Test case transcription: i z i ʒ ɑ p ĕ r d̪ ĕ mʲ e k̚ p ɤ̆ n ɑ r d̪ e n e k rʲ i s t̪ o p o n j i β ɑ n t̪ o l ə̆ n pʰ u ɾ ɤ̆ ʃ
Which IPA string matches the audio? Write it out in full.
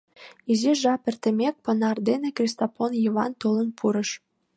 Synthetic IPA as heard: i z i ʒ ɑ p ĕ r t̪ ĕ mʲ e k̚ p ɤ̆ n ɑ r d̪ e n e k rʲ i s t̪ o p o n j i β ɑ n t̪ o l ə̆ n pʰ u ɾ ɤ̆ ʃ

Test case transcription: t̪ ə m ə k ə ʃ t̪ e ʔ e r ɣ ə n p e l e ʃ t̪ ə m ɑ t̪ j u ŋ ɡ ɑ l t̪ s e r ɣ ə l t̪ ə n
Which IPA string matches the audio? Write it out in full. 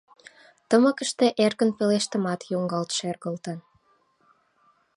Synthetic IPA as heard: t̪ ə m ə k ə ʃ t̪ e ʔ e r ɣ ə n p e l e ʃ t̪ ə m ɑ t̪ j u ŋ ɡ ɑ l t̪ ʃ e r ɣ ə l t̪ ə n

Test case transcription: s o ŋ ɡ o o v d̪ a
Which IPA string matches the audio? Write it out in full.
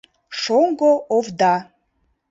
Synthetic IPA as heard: ʂ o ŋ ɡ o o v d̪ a

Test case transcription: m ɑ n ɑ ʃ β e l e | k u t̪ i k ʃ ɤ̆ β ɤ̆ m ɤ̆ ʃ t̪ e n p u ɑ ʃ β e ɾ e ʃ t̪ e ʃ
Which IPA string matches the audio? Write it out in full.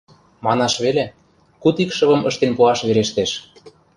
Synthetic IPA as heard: m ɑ n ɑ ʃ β e l e | k u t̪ i k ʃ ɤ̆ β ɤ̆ m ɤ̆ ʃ t̪ e n p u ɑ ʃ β e ɾ e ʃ t̪ e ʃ

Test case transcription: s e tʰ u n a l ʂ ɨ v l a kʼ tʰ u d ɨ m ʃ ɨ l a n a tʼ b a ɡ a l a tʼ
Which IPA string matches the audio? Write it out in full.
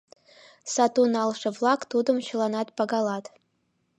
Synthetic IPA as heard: s a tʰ u n a l ʂ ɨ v l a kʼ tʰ u d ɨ m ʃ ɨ l a n a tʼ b a ɡ a l a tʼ

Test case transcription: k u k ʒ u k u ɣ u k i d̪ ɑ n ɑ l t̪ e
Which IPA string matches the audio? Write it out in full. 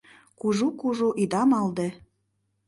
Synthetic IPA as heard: k u ʒ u k u ʒ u ʔ i d̪ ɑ m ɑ l d̪ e

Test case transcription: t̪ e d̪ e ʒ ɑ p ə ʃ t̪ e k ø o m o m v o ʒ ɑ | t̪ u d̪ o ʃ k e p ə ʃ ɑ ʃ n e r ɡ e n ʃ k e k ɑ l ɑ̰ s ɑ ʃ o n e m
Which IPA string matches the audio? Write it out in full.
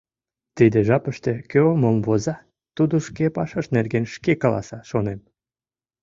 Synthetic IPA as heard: t̪ i d̪ e ʒ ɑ p ə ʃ t̪ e k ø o m o m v o z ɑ | t̪ u d̪ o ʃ k e p ɑ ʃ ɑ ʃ n e r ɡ e n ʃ k e k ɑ l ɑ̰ s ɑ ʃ o n e m

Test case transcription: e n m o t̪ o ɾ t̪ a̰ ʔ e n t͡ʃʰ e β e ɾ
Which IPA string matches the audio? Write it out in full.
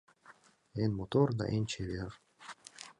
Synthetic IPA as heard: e n m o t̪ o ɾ d̪ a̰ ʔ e n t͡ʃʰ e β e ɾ

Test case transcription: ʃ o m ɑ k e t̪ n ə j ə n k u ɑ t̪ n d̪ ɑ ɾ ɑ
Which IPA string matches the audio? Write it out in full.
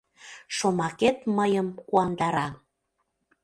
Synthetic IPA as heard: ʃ o m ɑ k e t̪ m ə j ə m k u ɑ n d̪ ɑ ɾ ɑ

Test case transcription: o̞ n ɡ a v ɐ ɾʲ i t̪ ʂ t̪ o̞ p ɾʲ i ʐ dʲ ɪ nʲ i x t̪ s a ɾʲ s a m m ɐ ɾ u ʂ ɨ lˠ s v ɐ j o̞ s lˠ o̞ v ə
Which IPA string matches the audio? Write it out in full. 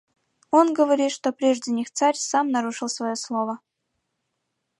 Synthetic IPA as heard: o̞ n ɡ ə v ɐ ɾʲ i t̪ ʂ t̪ o̞ p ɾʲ e ʐ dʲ ɪ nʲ i x t̪ s a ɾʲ s a m n ɐ ɾ u ʂ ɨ lˠ s v ɐ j o̞ s lˠ o̞ v ə

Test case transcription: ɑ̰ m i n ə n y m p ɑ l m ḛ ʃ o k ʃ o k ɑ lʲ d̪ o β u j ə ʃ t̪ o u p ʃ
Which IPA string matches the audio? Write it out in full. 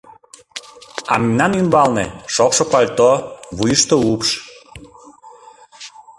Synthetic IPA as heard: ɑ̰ m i n ɑ n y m b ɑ l n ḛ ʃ o k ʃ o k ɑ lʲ t̪ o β u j ə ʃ t̪ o u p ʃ

